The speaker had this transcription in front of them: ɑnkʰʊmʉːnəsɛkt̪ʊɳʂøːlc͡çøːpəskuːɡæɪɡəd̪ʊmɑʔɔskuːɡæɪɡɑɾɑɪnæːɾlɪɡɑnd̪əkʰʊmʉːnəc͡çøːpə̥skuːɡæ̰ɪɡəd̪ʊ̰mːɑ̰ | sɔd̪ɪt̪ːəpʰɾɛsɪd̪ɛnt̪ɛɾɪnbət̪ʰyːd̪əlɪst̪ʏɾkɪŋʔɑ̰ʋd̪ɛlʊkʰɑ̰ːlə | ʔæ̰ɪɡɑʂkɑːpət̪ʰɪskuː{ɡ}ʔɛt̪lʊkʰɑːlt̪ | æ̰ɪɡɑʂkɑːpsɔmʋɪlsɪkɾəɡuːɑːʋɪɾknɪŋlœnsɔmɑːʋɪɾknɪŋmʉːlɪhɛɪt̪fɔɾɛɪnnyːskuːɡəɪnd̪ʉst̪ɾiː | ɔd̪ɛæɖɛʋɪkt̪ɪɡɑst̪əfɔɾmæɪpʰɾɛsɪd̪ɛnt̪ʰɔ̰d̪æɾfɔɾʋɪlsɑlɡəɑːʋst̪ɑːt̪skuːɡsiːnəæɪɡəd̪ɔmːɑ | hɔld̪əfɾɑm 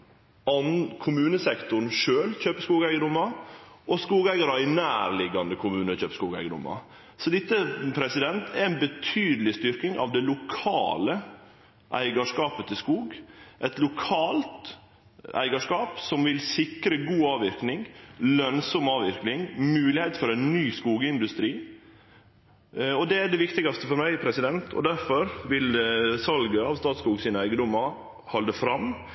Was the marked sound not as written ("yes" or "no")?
no